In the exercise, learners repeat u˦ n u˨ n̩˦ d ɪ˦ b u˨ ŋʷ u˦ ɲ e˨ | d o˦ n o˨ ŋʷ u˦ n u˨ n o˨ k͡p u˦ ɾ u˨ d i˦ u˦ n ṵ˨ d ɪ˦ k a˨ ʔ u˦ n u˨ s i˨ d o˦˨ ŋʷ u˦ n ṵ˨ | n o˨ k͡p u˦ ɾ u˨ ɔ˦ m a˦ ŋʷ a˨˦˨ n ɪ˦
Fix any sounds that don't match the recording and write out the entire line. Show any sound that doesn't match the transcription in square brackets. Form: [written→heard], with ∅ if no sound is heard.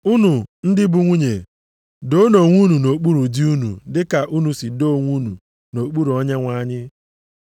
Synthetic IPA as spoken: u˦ n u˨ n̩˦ d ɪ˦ b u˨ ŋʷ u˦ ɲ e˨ | d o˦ n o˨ ŋʷ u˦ n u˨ n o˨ k͡p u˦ ɾ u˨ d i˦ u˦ n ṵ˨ d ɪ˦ k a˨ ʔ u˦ n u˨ s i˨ d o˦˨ ŋʷ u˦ n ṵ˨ | n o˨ k͡p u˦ ɾ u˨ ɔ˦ [m→ɲ] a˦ ŋʷ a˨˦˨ [n→ɲ] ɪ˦

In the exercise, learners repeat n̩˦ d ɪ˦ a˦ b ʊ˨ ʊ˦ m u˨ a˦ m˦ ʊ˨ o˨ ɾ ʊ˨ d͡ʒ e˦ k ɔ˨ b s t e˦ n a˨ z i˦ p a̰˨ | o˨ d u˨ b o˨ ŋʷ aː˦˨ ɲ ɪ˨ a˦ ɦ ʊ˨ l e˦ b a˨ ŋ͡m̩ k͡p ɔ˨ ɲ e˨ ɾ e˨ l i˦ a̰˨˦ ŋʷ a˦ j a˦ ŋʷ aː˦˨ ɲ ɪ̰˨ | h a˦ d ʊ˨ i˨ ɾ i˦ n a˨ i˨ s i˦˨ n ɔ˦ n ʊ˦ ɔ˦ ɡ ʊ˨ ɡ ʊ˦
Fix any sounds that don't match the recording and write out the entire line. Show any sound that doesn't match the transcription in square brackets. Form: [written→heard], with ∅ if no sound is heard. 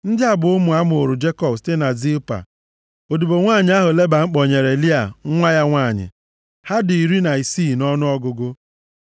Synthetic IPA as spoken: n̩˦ d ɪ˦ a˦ b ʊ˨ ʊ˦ m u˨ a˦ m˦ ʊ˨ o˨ ɾ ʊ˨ d͡ʒ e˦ k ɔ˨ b s t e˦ n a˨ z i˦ p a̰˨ | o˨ d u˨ b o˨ ŋʷ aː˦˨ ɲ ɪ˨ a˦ ɦ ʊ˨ l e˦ b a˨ ŋ͡m̩ k͡p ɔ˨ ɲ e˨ ɾ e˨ l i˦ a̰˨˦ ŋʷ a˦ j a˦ ŋʷ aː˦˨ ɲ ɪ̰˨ | h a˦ d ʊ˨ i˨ ɾ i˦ n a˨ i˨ s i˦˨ n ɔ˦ n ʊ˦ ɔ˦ ɡ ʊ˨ ɡ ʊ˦

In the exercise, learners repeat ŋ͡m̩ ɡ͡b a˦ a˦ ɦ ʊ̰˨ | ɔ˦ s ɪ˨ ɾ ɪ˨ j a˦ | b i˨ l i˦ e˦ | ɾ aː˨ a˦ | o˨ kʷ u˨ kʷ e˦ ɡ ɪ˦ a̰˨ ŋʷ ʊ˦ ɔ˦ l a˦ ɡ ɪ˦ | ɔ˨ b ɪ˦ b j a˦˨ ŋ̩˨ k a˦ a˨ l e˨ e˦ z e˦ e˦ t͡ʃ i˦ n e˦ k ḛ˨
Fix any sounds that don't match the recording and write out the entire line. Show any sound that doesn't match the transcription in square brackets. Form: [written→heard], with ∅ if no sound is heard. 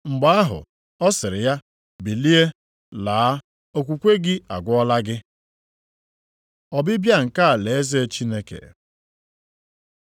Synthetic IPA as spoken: ŋ͡m̩ ɡ͡b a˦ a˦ ɦ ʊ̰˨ | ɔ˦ s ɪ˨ ɾ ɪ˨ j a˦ | b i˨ l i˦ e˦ | [ɾ→l] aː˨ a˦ | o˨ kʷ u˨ kʷ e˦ ɡ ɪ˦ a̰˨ [ŋʷ→ɡʷ] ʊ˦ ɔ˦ l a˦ ɡ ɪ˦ | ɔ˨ b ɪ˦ b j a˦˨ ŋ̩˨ k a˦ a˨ l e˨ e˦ z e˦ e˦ t͡ʃ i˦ n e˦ k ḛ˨

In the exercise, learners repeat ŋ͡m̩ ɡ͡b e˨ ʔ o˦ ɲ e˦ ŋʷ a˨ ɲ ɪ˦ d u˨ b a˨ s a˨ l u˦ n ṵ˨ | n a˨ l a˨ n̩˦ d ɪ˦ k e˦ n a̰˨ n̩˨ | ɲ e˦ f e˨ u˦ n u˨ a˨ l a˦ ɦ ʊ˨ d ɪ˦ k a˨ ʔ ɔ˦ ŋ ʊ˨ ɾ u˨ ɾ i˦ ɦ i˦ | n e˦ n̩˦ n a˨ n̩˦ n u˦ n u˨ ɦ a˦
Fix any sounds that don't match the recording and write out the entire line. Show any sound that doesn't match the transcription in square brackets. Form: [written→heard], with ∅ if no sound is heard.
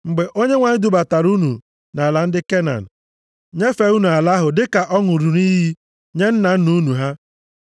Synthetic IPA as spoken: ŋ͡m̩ ɡ͡b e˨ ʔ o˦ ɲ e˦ ŋʷ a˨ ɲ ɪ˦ d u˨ b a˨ [s→t] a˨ [l→ɾ] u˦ n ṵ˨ | n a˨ l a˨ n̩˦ d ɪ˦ k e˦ n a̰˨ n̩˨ | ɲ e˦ f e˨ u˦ n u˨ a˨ l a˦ ɦ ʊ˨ d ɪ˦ k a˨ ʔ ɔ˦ ŋ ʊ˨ ɾ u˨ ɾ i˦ ɦ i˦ | [n→ɲ] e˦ n̩˦ n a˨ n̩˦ n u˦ n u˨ ɦ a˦

